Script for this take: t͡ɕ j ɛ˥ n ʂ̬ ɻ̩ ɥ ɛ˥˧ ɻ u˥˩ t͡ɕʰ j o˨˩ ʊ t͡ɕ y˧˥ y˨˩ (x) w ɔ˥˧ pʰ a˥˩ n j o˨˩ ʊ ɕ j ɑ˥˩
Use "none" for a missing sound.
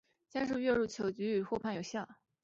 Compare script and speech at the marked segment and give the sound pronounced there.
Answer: x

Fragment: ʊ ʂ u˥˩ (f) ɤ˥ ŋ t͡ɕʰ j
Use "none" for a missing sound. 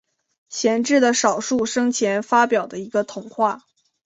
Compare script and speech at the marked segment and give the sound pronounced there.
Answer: ʂ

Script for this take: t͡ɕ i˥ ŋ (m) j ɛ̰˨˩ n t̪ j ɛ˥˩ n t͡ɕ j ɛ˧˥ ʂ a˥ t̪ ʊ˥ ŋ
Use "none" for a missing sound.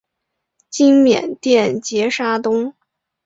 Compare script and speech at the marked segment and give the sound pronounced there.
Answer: m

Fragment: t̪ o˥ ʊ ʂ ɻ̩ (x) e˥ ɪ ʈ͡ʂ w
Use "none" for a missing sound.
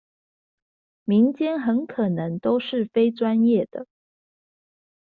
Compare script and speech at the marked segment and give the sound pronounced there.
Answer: f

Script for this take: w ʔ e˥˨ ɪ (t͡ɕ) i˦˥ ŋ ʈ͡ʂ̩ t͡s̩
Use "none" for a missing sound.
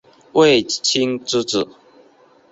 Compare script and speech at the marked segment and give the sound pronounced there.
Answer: t͡ɕʰ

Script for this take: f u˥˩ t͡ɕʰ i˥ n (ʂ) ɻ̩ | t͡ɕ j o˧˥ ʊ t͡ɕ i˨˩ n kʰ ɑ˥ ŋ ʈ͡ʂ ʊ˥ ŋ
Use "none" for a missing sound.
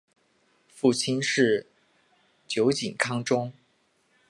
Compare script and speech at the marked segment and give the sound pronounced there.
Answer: ʂ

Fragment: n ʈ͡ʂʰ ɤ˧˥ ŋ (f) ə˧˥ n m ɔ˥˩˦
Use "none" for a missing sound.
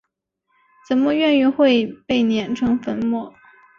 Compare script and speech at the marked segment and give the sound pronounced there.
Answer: f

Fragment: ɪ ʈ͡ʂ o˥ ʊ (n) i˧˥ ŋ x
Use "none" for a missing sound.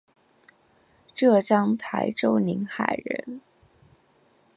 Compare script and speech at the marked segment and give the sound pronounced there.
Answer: n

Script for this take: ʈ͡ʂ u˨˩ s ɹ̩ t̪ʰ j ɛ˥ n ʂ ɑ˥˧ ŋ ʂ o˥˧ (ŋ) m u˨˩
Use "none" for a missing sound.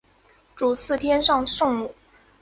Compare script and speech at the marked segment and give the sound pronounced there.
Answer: ŋ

